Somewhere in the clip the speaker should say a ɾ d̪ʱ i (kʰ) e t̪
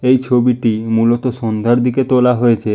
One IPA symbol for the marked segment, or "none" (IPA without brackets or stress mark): k